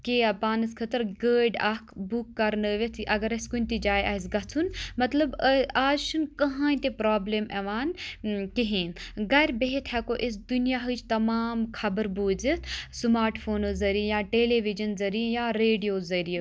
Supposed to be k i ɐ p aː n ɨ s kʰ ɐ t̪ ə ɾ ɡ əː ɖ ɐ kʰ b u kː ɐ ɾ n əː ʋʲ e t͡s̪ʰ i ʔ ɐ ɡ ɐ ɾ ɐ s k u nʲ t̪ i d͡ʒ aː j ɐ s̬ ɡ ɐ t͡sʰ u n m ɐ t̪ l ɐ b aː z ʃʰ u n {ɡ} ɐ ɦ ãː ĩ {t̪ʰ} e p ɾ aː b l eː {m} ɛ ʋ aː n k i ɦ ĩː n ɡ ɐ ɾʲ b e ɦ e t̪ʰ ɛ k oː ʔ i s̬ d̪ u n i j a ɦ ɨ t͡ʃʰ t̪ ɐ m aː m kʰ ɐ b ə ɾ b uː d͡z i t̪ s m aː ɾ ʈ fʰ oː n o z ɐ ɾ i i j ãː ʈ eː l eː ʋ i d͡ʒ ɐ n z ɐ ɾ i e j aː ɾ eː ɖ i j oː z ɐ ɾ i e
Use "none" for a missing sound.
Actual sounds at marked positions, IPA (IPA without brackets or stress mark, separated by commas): k, t̪, m